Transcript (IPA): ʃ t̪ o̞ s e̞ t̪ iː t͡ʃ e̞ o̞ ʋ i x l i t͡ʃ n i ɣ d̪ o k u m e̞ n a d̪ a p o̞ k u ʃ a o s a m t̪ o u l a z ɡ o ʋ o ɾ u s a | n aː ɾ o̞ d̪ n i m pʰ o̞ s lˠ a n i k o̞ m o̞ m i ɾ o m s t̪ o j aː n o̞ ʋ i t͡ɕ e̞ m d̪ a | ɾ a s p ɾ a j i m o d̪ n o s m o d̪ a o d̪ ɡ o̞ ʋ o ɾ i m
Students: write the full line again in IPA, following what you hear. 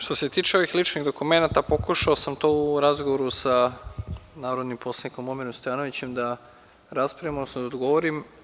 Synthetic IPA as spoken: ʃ t̪ o̞ s e̞ t̪ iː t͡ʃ e̞ o̞ ʋ i x l i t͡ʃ n i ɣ d̪ o k u m e̞ n a t̪ a p o̞ k u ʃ a o s a m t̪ o u ɾ a z ɡ o ʋ o ɾ u s a | n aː ɾ o̞ d̪ n i m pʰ o̞ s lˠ a n i k o̞ m o̞ m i ɾ o m s t̪ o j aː n o̞ ʋ i t͡ɕ e̞ m d̪ a | ɾ a s p ɾ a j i m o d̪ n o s n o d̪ a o d̪ ɡ o̞ ʋ o ɾ i m